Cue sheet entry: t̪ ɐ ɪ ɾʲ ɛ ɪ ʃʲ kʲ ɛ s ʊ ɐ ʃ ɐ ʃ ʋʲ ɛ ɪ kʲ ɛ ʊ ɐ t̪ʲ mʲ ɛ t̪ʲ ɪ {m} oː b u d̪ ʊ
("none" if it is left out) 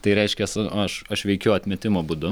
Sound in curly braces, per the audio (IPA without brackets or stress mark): m